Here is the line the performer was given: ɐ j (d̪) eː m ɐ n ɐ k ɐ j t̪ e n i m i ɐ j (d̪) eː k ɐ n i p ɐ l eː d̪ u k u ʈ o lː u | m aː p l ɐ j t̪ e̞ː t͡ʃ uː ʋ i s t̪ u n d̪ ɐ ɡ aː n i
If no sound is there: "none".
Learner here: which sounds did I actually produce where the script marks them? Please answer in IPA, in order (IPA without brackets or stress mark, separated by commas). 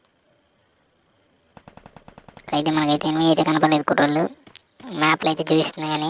t̪, t̪